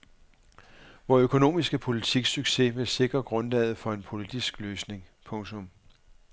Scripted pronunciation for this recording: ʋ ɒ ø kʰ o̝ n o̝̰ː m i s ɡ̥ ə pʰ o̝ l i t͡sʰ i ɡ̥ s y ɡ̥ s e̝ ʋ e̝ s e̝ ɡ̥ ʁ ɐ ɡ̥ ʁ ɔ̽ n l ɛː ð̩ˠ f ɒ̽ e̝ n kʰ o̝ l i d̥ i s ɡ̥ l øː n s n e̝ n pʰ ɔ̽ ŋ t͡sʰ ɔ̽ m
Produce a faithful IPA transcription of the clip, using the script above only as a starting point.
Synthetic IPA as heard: ʋ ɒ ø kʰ o̝ n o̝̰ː m i s ɡ̥ ə pʰ o̝ l i t͡sʰ i ɡ̥ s y ɡ̥ s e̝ ʋ e̝ s e̝ ɡ̥ ʁ ɐ ɡ̥ ʁ ɔ̽ n l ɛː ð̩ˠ f ɒ̽ e̝ n pʰ o̝ l i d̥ i s ɡ̥ l øː s n e̝ ŋ pʰ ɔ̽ ŋ t͡sʰ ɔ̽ m